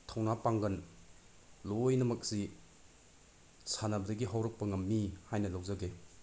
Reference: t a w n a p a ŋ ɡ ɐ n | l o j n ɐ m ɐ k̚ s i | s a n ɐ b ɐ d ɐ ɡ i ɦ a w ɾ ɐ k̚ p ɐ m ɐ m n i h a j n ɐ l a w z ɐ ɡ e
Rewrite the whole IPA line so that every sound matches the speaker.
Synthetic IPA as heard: tʰ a w n a p a ŋ ɡ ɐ n | l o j n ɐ m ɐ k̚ s i | s a n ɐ b ɐ d ɐ ɡ i ɦ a w ɾ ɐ k̚ p ɐ ŋ ɐ m n i h a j n ɐ l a w z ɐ ɡ e